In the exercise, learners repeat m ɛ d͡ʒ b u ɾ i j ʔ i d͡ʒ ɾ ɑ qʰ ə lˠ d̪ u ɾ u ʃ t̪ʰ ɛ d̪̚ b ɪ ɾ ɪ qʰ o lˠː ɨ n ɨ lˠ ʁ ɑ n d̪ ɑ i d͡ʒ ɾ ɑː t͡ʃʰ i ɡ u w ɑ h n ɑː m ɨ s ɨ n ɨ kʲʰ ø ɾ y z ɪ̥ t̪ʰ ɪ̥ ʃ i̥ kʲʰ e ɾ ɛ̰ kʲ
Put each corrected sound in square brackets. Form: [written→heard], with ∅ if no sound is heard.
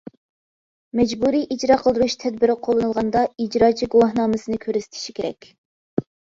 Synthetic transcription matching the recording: m ɛ d͡ʒ b u ɾ i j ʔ i d͡ʒ ɾ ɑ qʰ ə lˠ d̪ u ɾ u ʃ t̪ʰ ɛ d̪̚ b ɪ ɾ ɪ qʰ o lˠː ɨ n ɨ lˠ ʁ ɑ n d̪ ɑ i d͡ʒ ɾ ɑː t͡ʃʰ i ɡ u w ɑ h n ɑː m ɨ s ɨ n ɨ kʲʰ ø ɾ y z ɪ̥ t̪ʰ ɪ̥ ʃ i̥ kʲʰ e ɾ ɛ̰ kʲ

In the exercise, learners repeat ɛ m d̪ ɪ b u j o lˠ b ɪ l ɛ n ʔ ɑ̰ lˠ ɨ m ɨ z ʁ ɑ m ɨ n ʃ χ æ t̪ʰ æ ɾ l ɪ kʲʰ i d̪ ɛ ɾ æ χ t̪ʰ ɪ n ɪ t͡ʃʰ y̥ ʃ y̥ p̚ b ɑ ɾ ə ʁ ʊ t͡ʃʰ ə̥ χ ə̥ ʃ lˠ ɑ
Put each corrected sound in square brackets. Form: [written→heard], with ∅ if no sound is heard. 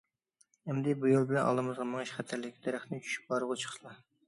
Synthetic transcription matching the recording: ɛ m d̪ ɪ b u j o lˠ b ɪ l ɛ n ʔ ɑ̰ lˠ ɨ m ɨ z ʁ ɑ m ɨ [n→ŋ] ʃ χ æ t̪ʰ æ ɾ l ɪ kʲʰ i d̪ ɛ ɾ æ χ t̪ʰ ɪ n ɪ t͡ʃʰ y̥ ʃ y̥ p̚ b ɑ ɾ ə ʁ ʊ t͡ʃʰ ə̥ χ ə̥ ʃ lˠ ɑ

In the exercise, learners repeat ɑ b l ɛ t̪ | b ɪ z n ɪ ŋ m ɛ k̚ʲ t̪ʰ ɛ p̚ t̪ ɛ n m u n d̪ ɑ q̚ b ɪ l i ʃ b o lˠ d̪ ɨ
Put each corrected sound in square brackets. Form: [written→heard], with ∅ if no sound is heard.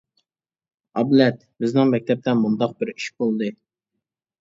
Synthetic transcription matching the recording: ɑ b l ɛ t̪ | b ɪ z n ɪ ŋ m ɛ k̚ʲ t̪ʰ ɛ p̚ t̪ ɛ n m u n d̪ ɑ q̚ b ɪ [l→ɾ] i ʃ b o lˠ d̪ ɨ

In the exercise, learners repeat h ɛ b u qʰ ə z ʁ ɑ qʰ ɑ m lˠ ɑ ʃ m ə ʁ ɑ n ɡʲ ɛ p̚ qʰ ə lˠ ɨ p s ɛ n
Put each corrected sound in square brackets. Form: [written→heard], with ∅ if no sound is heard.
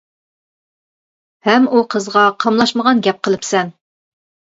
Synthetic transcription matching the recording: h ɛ [b→m] u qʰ ə z ʁ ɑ qʰ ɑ m lˠ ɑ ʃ m ə ʁ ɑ n ɡʲ ɛ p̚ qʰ ə lˠ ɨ p s ɛ n

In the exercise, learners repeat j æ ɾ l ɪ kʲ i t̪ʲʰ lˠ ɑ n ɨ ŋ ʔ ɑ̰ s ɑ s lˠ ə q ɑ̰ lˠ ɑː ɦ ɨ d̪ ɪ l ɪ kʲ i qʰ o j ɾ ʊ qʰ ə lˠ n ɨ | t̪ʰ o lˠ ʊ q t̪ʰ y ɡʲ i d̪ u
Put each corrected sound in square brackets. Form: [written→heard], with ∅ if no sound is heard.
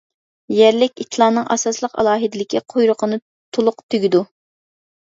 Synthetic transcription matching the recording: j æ ɾ l ɪ kʲ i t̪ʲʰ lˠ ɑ n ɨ ŋ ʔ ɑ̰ s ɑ s lˠ ə q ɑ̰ lˠ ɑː ɦ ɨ d̪ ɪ l ɪ kʲ i qʰ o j ɾ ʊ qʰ ə [lˠ→∅] n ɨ | t̪ʰ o lˠ ʊ q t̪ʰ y ɡʲ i d̪ u

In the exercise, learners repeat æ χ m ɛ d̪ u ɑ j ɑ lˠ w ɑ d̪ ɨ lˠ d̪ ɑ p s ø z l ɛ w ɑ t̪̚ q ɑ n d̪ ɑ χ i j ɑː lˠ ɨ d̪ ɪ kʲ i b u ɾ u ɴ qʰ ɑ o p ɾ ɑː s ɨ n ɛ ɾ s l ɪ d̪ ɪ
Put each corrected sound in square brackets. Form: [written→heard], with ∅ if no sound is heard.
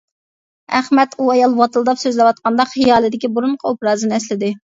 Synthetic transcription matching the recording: æ χ m ɛ [d̪→t̪] u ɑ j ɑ lˠ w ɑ [d̪→t̪] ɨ lˠ d̪ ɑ p s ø z l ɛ w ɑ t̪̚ q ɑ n d̪ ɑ χ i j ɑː lˠ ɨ d̪ ɪ kʲ i b u ɾ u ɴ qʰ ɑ o p ɾ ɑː [s→z] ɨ n ɛ [ɾ→∅] s l ɪ d̪ ɪ

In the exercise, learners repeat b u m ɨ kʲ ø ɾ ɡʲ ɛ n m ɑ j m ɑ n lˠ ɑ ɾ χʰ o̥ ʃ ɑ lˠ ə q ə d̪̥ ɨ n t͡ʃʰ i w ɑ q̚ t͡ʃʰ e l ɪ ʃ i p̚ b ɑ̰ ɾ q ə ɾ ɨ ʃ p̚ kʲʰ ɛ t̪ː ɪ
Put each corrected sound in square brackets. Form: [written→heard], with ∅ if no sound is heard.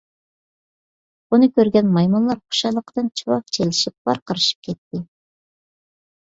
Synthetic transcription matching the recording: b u [m→n] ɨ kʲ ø ɾ ɡʲ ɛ n m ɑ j m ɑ n lˠ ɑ ɾ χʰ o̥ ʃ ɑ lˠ ə q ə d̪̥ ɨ n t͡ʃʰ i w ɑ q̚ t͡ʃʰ e l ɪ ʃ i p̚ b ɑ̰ ɾ q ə ɾ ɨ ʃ p̚ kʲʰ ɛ t̪ː ɪ

